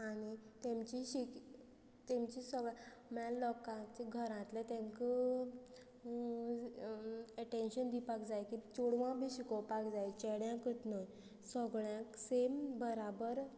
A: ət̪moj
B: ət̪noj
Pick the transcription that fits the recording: B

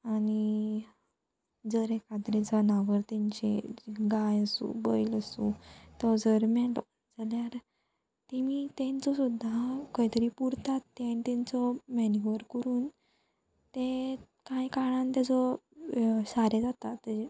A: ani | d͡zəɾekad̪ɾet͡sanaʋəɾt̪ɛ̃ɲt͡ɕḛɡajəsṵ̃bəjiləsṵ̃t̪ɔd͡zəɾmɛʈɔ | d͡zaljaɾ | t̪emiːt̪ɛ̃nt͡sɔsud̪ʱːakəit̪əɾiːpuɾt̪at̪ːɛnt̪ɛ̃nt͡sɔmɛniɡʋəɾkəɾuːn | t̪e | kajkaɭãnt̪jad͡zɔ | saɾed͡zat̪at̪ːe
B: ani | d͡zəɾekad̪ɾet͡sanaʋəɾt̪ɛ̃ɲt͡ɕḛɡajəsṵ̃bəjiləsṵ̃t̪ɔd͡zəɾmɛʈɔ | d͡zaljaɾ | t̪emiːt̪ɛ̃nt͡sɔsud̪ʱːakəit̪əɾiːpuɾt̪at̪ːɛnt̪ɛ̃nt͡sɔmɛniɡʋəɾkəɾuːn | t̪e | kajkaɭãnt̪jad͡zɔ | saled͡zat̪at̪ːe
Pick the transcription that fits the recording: A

